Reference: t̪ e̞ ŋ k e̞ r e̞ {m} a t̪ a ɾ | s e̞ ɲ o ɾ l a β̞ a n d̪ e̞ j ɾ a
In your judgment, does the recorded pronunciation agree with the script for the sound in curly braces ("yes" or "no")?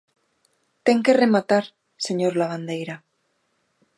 yes